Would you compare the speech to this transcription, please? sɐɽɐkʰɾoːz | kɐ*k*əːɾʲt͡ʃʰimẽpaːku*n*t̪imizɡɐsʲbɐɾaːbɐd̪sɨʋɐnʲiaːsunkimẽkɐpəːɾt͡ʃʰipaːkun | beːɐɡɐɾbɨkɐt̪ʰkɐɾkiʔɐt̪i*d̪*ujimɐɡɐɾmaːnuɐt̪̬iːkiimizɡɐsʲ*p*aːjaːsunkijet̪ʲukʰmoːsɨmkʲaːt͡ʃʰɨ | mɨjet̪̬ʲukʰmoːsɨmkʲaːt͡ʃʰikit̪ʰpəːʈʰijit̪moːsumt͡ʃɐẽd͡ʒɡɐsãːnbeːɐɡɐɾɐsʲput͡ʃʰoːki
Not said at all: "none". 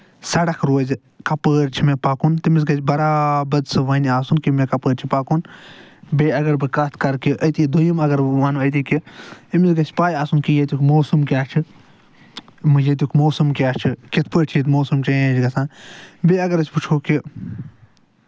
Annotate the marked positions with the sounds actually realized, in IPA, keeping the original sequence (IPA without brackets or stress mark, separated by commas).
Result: p, n, d̪, p